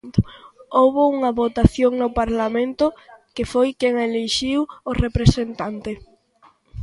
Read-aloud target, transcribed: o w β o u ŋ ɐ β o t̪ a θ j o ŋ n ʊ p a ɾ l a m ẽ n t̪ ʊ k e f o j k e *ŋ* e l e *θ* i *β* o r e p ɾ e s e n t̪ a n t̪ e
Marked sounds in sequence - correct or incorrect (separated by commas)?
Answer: correct, incorrect, incorrect